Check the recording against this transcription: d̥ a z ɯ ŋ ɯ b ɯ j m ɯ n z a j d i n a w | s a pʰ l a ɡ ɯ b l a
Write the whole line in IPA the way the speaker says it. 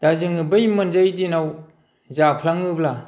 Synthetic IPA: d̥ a z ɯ ŋ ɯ b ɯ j m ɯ n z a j d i n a w | z a pʰ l a ŋ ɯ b l a